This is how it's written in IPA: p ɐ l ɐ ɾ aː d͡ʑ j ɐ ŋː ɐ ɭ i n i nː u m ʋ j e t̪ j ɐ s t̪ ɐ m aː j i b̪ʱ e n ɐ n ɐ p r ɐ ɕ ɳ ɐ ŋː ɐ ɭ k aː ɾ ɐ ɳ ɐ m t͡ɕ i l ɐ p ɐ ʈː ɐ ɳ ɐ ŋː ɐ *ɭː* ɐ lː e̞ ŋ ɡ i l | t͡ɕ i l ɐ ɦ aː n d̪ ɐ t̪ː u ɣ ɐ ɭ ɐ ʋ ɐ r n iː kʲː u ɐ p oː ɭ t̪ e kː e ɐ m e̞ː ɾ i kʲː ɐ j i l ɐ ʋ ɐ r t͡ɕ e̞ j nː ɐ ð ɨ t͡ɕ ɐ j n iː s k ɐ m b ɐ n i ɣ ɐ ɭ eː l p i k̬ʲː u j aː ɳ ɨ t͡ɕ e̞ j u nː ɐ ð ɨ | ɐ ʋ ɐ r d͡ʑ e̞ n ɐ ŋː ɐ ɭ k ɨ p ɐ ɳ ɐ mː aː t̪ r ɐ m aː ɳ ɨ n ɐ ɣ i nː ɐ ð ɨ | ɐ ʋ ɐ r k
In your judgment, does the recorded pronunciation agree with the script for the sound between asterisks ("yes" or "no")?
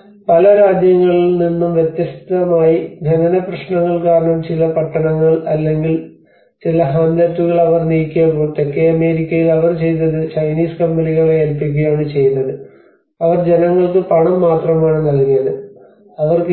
no